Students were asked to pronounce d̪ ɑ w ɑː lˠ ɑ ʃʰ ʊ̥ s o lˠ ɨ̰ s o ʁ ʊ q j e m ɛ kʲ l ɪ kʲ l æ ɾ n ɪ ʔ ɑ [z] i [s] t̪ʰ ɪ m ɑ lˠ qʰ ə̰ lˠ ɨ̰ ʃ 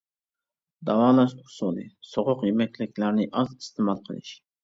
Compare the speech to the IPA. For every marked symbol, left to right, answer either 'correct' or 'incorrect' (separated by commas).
correct, correct